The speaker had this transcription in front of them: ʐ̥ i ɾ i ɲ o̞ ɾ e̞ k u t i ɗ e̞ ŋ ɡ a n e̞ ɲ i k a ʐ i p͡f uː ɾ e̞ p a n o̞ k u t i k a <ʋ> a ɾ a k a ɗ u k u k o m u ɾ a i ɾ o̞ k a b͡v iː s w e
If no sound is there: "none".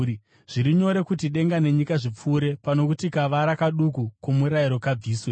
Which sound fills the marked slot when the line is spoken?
ʋ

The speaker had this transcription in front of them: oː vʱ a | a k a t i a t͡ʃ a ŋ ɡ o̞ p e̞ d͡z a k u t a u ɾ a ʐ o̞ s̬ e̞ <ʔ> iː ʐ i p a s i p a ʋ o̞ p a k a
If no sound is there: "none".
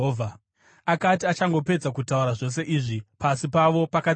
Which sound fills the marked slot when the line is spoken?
ʔ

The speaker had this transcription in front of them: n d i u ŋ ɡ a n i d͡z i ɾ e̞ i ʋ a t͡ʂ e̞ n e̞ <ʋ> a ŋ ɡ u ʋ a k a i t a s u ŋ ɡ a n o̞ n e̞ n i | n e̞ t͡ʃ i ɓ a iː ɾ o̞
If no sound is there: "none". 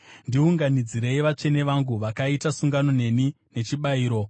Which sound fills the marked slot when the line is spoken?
ʋ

